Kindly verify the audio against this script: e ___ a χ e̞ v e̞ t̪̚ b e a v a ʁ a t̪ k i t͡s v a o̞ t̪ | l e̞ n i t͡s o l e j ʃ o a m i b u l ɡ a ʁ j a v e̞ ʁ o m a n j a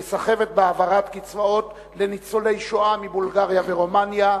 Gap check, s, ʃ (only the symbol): s